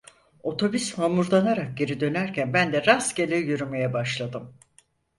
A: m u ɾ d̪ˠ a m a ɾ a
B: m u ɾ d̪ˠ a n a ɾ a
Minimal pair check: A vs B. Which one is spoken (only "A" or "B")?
B